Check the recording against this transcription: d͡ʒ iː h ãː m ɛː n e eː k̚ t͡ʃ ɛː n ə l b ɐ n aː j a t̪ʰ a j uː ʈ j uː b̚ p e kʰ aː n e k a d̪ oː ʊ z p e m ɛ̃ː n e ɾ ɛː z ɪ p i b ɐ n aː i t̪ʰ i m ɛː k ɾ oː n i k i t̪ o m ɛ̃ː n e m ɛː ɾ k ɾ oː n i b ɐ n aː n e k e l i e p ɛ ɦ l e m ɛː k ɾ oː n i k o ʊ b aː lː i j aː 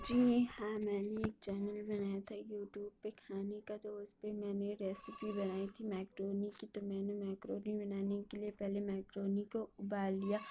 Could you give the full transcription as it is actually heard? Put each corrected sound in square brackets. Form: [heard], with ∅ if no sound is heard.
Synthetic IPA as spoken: d͡ʒ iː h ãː m ɛː n e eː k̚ t͡ʃ ɛː n ə l b ɐ n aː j a t̪ʰ a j uː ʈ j uː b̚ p e kʰ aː n e k a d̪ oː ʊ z p e m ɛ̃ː n e ɾ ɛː [s] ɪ p i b ɐ n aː i t̪ʰ i m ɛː k ɾ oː n i k i t̪ o m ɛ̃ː n e m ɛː [∅] k ɾ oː n i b ɐ n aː n e k e l i e p ɛ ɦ l e m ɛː k ɾ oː n i k o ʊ b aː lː i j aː